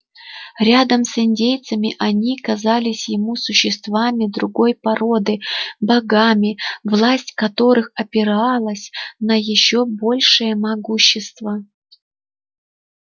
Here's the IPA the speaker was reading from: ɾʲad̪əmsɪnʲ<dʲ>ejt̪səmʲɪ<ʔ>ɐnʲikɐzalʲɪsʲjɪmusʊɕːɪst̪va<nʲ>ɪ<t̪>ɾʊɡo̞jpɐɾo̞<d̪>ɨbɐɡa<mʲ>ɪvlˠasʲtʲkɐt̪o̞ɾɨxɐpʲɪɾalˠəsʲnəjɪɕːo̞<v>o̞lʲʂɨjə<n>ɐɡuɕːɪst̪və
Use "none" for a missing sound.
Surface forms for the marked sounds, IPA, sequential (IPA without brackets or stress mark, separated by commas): dʲ, ʔ, mʲ, d̪, d̪, mʲ, b, m